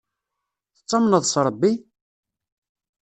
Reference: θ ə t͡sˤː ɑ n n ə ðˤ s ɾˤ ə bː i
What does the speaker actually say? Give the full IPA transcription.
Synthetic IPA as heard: θ ə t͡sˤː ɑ m n ə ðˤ s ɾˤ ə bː i